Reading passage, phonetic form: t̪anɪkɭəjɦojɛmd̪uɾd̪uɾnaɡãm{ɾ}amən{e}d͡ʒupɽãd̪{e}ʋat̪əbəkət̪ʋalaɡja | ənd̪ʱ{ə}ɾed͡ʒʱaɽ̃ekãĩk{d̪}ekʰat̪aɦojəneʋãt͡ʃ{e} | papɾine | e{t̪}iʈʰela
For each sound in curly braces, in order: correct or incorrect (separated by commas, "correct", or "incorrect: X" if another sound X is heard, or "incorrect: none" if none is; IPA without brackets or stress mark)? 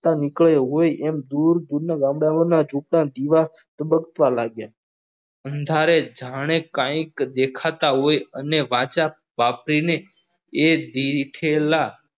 incorrect: ɽ, incorrect: a, incorrect: i, incorrect: a, correct, incorrect: a, incorrect: d̪